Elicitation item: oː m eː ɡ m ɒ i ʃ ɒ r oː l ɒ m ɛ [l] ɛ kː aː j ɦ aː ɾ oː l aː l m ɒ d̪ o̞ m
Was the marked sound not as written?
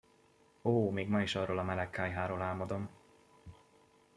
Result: no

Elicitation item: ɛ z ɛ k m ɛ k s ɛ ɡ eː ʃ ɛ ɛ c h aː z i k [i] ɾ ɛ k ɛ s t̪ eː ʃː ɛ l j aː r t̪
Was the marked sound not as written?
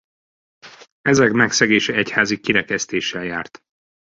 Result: no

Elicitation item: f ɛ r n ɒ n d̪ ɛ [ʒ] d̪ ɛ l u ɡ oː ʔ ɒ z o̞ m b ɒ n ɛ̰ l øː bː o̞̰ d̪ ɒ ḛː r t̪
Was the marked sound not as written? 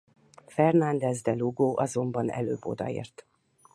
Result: yes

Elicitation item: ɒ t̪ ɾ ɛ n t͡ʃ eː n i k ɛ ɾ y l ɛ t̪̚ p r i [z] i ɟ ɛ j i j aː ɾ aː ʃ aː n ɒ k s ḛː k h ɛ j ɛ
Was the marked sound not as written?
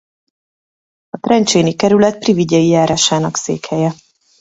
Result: yes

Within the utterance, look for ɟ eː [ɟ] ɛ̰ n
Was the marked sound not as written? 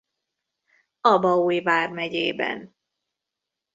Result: yes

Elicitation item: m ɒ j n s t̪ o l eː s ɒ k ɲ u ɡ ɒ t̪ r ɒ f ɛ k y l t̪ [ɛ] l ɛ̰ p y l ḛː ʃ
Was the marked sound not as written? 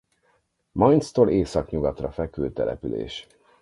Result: no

